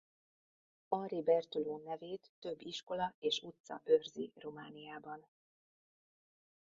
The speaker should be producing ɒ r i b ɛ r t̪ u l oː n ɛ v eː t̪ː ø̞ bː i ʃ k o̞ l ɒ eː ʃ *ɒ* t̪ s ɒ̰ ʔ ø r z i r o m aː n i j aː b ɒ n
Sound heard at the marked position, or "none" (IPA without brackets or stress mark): u